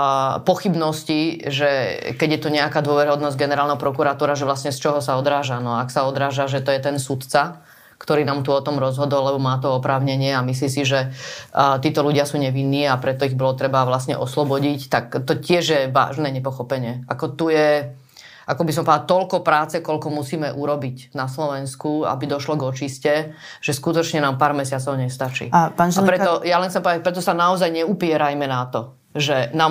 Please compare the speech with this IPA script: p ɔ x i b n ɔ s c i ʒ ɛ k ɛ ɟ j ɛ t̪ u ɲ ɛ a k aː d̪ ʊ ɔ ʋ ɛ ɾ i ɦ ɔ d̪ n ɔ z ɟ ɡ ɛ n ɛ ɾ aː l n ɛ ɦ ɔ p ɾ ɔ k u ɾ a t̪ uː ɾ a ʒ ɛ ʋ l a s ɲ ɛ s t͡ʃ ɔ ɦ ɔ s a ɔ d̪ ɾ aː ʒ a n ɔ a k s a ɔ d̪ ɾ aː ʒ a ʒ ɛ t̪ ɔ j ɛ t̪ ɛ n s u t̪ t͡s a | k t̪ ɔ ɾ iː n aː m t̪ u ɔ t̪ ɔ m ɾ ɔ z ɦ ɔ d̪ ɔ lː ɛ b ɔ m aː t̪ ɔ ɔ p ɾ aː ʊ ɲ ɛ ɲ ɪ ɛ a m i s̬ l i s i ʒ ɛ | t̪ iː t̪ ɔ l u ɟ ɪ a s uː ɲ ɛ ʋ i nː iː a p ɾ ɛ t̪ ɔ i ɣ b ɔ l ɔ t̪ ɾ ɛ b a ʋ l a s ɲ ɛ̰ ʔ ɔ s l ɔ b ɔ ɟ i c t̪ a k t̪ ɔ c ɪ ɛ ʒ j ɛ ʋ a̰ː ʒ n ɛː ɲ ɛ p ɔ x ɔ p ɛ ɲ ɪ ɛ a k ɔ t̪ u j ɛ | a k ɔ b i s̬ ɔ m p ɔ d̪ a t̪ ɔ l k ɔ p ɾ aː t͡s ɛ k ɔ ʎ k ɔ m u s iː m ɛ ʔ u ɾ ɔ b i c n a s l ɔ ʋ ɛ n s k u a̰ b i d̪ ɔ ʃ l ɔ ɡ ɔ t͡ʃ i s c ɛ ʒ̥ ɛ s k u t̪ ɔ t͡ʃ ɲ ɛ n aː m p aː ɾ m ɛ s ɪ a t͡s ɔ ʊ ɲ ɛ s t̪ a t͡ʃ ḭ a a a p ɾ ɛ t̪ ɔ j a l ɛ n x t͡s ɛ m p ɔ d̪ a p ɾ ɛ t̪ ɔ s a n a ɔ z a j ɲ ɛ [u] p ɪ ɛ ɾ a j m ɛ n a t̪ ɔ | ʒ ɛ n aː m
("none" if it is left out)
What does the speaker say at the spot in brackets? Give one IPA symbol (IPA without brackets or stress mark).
u